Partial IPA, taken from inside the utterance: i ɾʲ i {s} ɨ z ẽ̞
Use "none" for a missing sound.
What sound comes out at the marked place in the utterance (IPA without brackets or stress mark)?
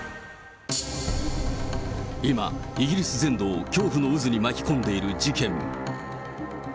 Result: s